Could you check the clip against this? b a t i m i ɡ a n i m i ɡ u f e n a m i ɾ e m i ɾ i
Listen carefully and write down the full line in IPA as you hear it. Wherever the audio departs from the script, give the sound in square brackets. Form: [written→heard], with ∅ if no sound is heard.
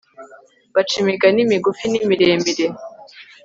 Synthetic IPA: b a [t→t͡ʃ] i m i ɡ a n i m i ɡ u f [e→i] n [a→i] m i ɾ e m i ɾ [i→e]